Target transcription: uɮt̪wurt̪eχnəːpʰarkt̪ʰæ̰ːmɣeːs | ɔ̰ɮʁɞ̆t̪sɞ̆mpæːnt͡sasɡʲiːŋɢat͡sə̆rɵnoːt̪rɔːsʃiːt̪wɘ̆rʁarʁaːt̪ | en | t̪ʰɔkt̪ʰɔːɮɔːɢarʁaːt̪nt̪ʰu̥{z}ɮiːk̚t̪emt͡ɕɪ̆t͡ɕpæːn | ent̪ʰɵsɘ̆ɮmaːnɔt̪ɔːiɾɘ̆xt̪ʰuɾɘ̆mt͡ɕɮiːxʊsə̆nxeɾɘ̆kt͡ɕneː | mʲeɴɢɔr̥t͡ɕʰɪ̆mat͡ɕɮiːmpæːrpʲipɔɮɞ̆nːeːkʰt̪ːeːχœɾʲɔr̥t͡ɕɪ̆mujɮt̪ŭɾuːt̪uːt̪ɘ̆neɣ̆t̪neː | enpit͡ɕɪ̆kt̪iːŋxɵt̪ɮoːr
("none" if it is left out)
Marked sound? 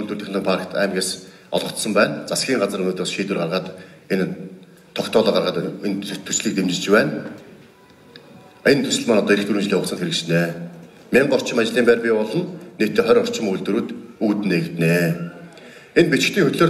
s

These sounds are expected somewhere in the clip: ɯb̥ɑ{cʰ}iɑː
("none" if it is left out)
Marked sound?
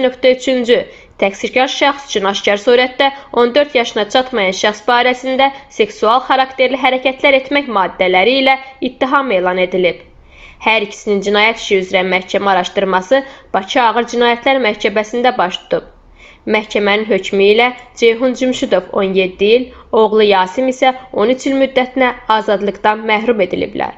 cʰ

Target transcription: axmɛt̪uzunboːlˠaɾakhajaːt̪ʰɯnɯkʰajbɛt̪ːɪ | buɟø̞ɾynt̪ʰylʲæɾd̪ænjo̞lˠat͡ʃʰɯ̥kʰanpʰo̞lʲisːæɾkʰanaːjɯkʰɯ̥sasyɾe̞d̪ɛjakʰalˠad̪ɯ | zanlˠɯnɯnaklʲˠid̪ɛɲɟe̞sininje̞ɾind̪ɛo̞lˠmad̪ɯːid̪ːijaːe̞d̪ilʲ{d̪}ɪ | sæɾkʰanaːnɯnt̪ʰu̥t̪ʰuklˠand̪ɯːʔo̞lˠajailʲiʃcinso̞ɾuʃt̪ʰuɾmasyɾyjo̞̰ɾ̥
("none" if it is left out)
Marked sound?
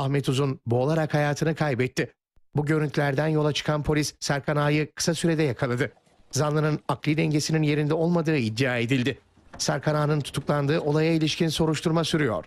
d̪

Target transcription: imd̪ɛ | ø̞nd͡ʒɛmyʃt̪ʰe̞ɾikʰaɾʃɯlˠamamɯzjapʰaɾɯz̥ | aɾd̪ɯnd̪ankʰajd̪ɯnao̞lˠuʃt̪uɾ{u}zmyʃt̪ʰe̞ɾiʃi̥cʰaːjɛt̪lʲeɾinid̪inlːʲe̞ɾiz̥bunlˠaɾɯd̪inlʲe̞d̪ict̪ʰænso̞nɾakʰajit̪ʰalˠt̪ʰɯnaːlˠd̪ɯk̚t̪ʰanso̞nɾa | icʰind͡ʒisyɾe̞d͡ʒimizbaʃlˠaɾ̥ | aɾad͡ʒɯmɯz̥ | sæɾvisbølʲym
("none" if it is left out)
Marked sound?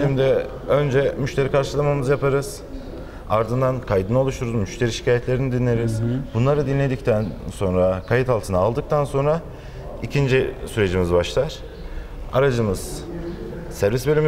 u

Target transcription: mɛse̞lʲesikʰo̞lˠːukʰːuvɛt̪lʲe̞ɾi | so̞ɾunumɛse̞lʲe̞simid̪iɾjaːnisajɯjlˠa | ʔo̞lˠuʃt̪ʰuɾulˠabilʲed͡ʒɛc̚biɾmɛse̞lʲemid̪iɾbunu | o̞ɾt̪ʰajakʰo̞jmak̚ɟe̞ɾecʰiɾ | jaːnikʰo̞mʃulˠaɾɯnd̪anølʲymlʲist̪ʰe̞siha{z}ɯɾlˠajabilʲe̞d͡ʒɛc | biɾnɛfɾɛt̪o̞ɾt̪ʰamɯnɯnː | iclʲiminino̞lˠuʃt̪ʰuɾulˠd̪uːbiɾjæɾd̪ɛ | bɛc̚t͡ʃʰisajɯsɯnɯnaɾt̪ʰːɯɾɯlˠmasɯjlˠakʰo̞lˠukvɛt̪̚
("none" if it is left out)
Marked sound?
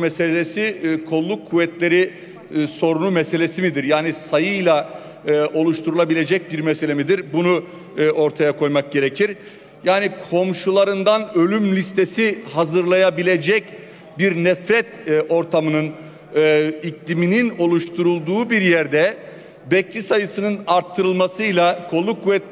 z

